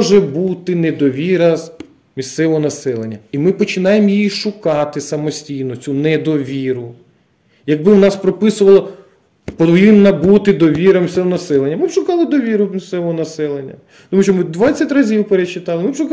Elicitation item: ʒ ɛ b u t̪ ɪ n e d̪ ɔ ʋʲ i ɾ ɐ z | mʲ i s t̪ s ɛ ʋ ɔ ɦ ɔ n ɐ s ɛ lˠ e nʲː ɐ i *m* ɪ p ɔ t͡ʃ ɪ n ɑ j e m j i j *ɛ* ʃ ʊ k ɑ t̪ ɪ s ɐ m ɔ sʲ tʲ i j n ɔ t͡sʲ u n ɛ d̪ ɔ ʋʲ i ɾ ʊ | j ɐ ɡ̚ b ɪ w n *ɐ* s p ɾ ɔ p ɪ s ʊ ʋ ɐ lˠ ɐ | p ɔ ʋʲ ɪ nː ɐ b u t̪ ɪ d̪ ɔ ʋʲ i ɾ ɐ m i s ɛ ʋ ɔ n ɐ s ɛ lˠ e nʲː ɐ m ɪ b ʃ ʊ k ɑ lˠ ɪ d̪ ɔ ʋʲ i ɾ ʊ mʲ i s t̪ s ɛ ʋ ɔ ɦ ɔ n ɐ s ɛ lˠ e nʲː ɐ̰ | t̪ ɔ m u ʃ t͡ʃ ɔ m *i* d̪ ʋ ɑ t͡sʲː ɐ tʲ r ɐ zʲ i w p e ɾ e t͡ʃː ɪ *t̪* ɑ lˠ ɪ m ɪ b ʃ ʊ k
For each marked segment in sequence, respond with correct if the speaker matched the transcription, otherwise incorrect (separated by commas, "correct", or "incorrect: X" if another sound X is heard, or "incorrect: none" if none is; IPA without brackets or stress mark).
correct, incorrect: i, incorrect: ɑ, incorrect: ɪ, correct